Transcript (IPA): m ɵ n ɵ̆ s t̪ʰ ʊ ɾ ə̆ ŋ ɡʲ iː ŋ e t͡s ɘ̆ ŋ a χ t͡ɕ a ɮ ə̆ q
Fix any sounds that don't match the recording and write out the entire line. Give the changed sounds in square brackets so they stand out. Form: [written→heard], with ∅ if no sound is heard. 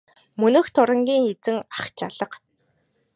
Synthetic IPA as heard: m ɵ n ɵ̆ [s→x] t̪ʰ ʊ ɾ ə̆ ŋ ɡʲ iː ŋ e t͡s ɘ̆ ŋ a χ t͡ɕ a ɮ ə̆ q